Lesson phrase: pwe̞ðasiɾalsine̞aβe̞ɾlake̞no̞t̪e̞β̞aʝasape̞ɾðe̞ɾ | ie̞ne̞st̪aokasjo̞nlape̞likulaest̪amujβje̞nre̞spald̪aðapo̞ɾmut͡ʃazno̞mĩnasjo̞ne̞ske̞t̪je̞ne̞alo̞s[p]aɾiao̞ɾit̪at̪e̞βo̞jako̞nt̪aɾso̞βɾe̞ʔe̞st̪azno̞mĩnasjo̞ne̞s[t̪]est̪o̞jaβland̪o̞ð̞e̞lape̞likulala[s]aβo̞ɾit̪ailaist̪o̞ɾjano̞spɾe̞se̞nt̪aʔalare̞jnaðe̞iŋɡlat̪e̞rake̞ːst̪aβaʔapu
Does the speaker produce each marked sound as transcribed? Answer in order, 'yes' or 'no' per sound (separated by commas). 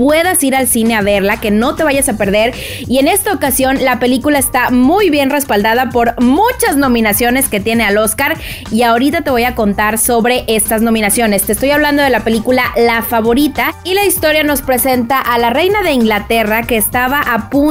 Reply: no, yes, no